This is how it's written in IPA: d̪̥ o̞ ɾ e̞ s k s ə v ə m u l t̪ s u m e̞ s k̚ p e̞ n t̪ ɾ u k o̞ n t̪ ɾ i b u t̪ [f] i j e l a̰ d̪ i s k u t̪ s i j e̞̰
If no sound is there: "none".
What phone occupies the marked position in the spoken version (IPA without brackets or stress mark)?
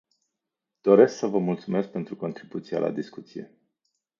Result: s